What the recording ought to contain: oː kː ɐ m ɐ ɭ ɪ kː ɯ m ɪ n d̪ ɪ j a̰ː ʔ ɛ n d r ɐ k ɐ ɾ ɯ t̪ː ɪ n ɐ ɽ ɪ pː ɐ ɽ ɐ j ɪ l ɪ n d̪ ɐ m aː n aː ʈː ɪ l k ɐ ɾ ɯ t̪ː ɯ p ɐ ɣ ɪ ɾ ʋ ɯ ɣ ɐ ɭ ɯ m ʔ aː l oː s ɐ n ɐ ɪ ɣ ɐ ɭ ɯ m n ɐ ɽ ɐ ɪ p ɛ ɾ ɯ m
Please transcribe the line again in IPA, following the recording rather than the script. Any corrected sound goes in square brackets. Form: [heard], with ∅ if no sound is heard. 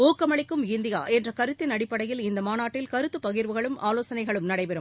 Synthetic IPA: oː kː ɐ m ɐ ɭ ɪ kː ɯ m ɪ n d̪ ɪ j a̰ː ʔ ɛ n d r ɐ k ɐ ɾ ɯ t̪ː ɪ n ɐ ɽ ɪ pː ɐ ɽ ɐ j ɪ l ɪ n d̪ ɐ m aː n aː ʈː ɪ l k ɐ ɾ ɯ t̪ː ɯ p ɐ ɣ ɪ ɾ ʋ ɯ ɣ ɐ ɭ ɯ m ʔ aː l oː s ɐ n ɐ ɪ ɣ ɐ ɭ ɯ m n ɐ ɽ ɐ ɪ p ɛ ɾ ɯ m

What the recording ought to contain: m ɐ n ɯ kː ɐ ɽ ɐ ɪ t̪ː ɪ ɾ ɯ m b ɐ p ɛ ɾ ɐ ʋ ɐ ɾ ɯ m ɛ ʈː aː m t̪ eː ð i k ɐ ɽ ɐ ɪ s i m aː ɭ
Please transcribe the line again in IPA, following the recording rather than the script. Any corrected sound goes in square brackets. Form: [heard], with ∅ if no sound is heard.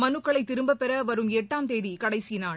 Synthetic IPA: m ɐ n ɯ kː ɐ [ɭ] ɐ ɪ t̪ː ɪ ɾ ɯ m b ɐ p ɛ ɾ ɐ ʋ ɐ ɾ ɯ m ɛ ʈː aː m t̪ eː ð i k ɐ ɽ ɐ ɪ s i [n] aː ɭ

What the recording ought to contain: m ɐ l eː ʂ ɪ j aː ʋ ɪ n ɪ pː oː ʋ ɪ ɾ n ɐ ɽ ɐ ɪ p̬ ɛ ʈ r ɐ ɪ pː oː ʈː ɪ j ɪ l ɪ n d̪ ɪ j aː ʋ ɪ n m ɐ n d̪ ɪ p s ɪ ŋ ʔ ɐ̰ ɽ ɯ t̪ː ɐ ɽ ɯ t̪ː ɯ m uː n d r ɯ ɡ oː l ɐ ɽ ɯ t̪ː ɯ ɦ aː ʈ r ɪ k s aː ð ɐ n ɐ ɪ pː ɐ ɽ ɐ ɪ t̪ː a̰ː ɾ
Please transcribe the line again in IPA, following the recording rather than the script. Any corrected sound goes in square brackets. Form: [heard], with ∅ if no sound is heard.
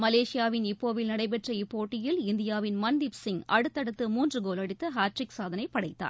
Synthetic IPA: m ɐ l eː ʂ ɪ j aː ʋ ɪ n ɪ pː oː ʋ ɪ [l] n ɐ ɽ ɐ ɪ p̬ ɛ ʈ r ɐ ɪ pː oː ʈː ɪ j ɪ l ɪ n d̪ ɪ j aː ʋ ɪ n m ɐ n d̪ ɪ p s ɪ ŋ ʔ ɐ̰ ɽ ɯ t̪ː ɐ ɽ ɯ t̪ː ɯ m uː n d r ɯ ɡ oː l ɐ ɽ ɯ t̪ː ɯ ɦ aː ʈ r ɪ k s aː ð ɐ n ɐ ɪ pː ɐ ɽ ɐ ɪ t̪ː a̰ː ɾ

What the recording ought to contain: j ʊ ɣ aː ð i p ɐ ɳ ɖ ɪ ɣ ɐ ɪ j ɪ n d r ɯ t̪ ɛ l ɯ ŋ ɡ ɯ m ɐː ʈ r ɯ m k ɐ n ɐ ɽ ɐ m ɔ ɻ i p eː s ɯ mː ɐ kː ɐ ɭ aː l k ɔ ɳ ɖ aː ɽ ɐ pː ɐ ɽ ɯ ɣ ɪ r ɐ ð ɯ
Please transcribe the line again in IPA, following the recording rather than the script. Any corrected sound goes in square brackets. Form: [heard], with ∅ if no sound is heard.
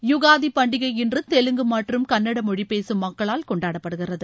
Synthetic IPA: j ʊ ɣ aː ð i p ɐ ɳ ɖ ɪ ɣ ɐ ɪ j ɪ n d r ɯ t̪ ɛ l ɯ ŋ ɡ ɯ m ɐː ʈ r ɯ m k ɐ [nː] ɐ ɽ ɐ m ɔ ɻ i p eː s ɯ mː ɐ kː ɐ ɭ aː l k ɔ ɳ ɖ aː ɽ ɐ pː ɐ ɽ ɯ ɣ ɪ r ɐ ð ɯ

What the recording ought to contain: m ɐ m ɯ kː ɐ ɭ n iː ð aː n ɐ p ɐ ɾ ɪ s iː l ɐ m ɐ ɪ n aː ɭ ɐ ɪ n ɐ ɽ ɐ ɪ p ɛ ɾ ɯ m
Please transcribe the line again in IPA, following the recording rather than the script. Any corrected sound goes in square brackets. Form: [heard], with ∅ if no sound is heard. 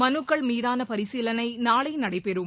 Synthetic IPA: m ɐ [n] ɯ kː ɐ ɭ [m] iː ð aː n ɐ p ɐ ɾ ɪ s iː l ɐ [n] ɐ ɪ n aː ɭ ɐ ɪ n ɐ ɽ ɐ ɪ p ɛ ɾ ɯ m

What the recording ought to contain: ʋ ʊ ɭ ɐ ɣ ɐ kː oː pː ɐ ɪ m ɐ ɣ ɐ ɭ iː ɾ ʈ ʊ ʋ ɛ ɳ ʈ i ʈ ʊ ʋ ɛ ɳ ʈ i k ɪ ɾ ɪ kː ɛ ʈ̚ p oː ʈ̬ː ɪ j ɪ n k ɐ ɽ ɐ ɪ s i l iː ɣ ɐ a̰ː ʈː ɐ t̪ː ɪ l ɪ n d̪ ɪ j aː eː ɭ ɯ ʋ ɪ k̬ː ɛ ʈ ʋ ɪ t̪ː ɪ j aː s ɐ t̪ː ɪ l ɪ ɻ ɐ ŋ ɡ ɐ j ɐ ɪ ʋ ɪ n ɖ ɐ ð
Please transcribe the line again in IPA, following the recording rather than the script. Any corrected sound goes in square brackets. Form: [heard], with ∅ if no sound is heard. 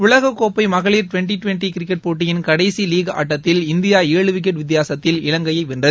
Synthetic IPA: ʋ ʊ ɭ ɐ ɣ ɐ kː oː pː ɐ ɪ m ɐ ɣ ɐ ɭ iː ɾ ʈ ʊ ʋ ɛ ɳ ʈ i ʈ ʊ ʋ ɛ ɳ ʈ i k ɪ ɾ ɪ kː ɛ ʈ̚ p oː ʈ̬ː ɪ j ɪ n k ɐ ɽ ɐ ɪ s i l iː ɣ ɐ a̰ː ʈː ɐ t̪ː ɪ l ɪ n d̪ ɪ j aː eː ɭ ɯ ʋ ɪ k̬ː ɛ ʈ ʋ ɪ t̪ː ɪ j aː s ɐ t̪ː ɪ l ɪ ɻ ɐ ŋ ɡ ɐ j ɐ ɪ ʋ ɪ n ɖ ɐ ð

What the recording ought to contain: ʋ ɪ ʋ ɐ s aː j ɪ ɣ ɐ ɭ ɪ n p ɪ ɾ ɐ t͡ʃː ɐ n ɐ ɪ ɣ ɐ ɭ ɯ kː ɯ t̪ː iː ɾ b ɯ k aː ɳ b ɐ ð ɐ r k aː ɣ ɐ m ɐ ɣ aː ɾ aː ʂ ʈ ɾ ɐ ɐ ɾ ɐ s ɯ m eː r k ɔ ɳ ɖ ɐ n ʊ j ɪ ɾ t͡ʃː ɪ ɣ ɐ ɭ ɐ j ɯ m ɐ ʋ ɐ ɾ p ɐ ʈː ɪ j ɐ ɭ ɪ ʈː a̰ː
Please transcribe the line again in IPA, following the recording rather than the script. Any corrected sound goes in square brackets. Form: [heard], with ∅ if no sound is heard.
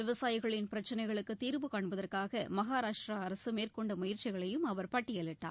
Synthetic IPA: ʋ ɪ ʋ ɐ s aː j ɪ ɣ ɐ ɭ ɪ n p ɪ ɾ ɐ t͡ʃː ɐ n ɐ ɪ ɣ ɐ ɭ ɯ kː ɯ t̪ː iː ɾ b ɯ k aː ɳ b ɐ ð ɐ r k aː ɣ ɐ m ɐ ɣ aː ɾ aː ʂ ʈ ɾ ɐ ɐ ɾ ɐ s ɯ m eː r k ɔ ɳ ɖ ɐ [m] ʊ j ɪ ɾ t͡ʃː ɪ ɣ ɐ ɭ ɐ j ɯ m ɐ ʋ ɐ ɾ p ɐ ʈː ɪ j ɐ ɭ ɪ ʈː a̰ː

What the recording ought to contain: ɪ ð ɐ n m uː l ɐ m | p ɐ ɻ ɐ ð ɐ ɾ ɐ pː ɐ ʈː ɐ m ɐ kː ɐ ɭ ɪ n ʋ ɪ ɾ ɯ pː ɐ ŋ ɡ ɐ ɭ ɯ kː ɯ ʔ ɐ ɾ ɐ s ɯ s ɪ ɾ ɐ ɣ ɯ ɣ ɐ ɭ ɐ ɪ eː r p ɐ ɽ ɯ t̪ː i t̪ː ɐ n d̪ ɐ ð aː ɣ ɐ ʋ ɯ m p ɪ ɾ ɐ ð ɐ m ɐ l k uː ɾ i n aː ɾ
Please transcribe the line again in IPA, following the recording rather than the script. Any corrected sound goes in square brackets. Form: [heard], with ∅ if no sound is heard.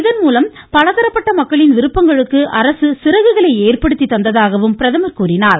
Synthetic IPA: ɪ ð ɐ n m uː l ɐ m | p ɐ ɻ ɐ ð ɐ ɾ ɐ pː ɐ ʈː ɐ m ɐ kː ɐ ɭ ɪ n ʋ ɪ ɾ ɯ pː ɐ ŋ ɡ ɐ ɭ ɯ kː ɯ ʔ ɐ ɾ ɐ s ɯ s ɪ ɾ ɐ ɣ ɯ ɣ ɐ ɭ ɐ ɪ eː r p ɐ ɽ ɯ t̪ː i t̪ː ɐ n d̪ ɐ ð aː ɣ ɐ ʋ ɯ m p ɪ ɾ ɐ ð ɐ m ɐ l k uː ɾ [ɪ] n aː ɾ

